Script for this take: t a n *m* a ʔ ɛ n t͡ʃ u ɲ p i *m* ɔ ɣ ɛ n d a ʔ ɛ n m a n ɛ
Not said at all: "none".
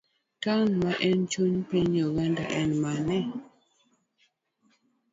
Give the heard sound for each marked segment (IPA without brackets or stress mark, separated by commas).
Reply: m, ɲ